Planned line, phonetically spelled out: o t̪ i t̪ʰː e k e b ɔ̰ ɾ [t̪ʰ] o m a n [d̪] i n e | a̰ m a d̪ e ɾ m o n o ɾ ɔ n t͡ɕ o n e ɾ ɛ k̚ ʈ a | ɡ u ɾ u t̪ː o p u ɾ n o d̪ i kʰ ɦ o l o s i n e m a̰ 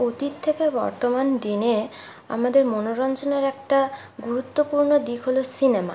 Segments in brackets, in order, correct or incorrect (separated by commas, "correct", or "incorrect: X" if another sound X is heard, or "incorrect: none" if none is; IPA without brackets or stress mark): incorrect: t̪, correct